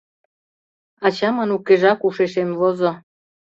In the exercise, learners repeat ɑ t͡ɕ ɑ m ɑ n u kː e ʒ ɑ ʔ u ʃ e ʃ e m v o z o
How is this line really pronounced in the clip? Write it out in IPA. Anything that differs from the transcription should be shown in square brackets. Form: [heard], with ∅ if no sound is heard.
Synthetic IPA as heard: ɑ t͡ɕ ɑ m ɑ n u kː e ʒ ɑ [k] u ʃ e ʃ e m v o z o